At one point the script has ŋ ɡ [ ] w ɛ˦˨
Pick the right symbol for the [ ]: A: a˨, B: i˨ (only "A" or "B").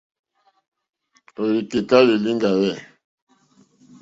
A